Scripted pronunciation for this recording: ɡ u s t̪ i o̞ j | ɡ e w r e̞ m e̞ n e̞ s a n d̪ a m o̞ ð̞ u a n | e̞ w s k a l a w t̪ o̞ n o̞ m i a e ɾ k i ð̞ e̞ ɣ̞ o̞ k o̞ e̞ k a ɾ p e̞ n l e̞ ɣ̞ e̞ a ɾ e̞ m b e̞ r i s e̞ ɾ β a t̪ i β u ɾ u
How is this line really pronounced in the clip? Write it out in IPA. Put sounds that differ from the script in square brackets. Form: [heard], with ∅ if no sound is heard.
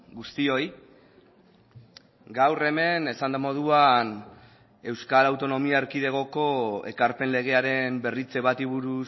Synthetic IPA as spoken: ɡ u s t̪ i o̞ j | ɡ [a] w r e̞ m e̞ n e̞ s a n d̪ a m o̞ ð̞ u a n | e̞ w s k a l a w t̪ o̞ n o̞ m i a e ɾ k i ð̞ e̞ ɣ̞ o̞ k o̞ e̞ k a ɾ p e̞ n l e̞ ɣ̞ e̞ a ɾ e̞ m b e̞ r i [t͡s] e̞ [∅] β a t̪ i β u ɾ u